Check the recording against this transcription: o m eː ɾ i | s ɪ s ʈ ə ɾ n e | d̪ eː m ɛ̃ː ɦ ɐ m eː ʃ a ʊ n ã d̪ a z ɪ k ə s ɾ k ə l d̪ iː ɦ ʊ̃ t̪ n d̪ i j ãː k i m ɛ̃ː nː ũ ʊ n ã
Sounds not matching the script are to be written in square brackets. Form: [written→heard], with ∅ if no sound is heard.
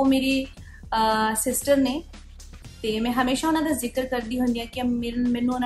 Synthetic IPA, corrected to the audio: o m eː ɾ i | s ɪ s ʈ ə ɾ n e | [d̪→t̪] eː m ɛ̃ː ɦ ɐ m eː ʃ a ʊ n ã d̪ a z ɪ k ə [s→∅] ɾ k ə [l→ɾ] d̪ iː ɦ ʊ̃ [t̪→∅] n d̪ i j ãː k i m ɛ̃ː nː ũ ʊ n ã